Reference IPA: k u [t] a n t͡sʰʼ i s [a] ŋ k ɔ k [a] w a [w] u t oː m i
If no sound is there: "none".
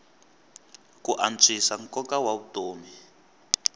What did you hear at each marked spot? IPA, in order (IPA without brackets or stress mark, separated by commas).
ʔ, a, a, β